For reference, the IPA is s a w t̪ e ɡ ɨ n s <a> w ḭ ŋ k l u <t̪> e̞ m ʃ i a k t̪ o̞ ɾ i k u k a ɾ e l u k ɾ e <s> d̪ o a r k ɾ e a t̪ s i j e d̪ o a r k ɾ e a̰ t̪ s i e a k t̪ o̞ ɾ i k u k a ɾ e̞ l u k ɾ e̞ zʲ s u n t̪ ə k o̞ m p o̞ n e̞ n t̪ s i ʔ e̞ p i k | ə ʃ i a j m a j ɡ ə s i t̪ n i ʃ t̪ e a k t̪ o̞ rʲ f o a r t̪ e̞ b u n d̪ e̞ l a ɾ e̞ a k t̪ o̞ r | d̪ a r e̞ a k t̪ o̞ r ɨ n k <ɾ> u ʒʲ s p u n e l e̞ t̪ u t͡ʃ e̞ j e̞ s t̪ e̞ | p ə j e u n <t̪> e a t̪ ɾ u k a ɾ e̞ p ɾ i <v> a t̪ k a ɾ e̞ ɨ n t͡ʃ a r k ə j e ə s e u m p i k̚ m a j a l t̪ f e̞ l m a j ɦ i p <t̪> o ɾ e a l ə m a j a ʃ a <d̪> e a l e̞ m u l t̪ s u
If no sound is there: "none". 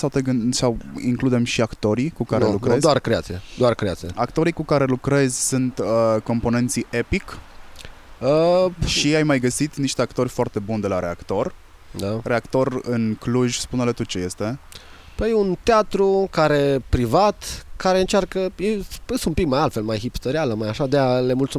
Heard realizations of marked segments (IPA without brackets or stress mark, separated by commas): a, d̪, z, l, t̪, v, t̪, d̪